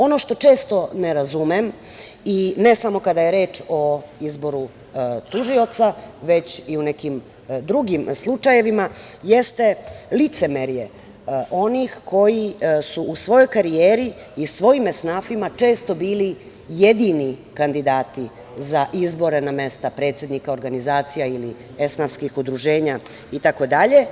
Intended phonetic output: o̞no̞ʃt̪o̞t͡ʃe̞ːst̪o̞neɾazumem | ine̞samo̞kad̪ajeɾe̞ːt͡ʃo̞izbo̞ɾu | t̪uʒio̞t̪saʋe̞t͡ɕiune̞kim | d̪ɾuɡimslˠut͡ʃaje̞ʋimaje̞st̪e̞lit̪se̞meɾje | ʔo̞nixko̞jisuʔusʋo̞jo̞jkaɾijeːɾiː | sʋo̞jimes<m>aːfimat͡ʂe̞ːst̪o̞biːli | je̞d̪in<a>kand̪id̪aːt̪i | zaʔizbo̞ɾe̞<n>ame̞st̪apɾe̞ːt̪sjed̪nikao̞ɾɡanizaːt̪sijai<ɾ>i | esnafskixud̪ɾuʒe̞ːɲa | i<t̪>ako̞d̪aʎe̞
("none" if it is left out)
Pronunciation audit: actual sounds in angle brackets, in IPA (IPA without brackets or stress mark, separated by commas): n, i, n, l, t̪